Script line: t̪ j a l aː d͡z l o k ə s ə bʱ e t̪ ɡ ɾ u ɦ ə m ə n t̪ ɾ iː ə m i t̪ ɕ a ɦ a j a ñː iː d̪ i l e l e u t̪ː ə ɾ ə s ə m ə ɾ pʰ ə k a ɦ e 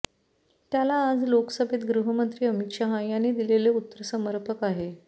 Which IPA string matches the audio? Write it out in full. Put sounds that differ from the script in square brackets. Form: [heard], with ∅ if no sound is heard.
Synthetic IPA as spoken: t̪ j a l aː d͡z l o k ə s ə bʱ e t̪ ɡ ɾ u ɦ ə m ə n t̪ ɾ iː ə m i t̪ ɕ a ɦ a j a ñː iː d̪ i l e l e u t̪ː ə ɾ ə s ə m ə ɾ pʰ ə k a ɦ e

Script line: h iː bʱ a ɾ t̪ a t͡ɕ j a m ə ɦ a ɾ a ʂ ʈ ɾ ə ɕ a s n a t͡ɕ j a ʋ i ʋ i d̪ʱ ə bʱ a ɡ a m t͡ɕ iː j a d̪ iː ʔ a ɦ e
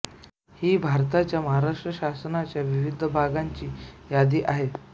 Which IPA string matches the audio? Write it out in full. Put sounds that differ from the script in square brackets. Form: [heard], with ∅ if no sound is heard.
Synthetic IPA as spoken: h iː bʱ a ɾ t̪ a t͡ɕ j a m ə ɦ a ɾ a ʂ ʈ ɾ ə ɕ a s n a t͡ɕ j a ʋ i ʋ i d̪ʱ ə bʱ a ɡ a [ɲ] t͡ɕ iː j a d̪ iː ʔ a ɦ e

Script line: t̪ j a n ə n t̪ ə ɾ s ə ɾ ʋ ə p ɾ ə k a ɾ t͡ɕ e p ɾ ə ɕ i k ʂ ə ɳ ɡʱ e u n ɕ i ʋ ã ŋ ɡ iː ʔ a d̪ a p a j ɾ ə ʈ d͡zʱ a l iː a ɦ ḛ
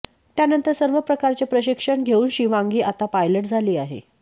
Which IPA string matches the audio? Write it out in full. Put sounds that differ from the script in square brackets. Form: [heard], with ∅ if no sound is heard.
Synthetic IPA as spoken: t̪ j a n ə n t̪ ə ɾ s ə ɾ ʋ ə p ɾ ə k a ɾ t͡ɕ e p ɾ ə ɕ i k ʂ ə ɳ ɡʱ e [uː] n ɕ i ʋ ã ŋ ɡ iː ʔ a [t̪] a p a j [l] ə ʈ d͡zʱ a l iː a ɦ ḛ

